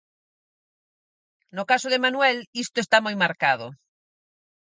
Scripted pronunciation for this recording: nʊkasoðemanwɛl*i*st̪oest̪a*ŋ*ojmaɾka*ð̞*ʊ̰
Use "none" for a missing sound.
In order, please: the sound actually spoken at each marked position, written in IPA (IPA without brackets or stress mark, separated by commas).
i, m, ð̞